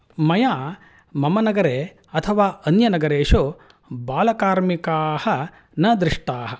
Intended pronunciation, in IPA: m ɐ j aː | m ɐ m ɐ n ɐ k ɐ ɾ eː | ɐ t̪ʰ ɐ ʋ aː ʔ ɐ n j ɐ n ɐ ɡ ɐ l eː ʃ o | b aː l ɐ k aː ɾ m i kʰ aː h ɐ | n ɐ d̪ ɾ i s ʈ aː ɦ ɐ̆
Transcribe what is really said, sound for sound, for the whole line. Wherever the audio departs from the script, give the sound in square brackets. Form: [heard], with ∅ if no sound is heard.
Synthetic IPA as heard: m ɐ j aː | m ɐ m ɐ n ɐ [ɡ] ɐ ɾ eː | ɐ t̪ʰ ɐ ʋ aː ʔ ɐ n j ɐ n ɐ ɡ ɐ [ɾ] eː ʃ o | b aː l ɐ k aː ɾ m i [k] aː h ɐ | n ɐ d̪ ɾ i [ʂ] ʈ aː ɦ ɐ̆